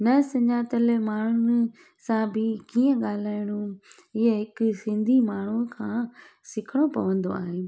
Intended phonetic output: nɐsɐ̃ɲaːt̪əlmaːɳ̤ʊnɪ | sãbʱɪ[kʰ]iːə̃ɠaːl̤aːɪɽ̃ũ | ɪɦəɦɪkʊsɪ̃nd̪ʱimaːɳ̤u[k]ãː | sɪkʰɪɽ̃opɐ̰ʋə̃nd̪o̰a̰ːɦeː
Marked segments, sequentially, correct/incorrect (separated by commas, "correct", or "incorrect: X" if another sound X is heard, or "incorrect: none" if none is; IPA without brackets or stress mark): incorrect: k, incorrect: kʰ